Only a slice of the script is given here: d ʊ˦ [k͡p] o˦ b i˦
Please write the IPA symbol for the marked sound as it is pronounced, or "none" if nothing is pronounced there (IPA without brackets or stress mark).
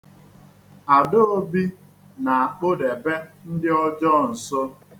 none